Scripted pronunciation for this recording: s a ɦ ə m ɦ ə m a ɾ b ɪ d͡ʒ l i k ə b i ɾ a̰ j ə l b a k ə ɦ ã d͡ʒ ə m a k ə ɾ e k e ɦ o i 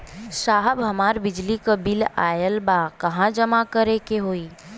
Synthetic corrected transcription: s a ɦ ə b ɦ ə m a ɾ b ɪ d͡ʒ l i k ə b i l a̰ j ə l b a k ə ɦ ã d͡ʒ ə m a k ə ɾ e k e ɦ o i